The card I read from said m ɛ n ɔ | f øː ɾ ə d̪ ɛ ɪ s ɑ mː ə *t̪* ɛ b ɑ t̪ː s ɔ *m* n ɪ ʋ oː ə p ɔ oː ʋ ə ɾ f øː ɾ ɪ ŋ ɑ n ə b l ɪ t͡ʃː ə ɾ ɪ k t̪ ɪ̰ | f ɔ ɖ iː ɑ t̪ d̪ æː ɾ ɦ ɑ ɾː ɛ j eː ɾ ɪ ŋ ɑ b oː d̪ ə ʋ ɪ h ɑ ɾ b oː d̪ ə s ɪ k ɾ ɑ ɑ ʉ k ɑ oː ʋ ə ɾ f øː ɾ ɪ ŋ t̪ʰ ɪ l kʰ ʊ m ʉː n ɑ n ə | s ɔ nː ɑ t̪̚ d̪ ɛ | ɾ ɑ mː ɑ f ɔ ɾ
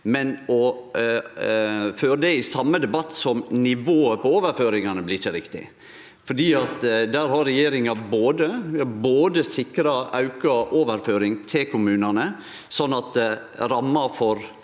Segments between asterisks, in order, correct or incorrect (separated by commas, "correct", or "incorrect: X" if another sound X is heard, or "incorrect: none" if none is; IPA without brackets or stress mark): incorrect: d̪, correct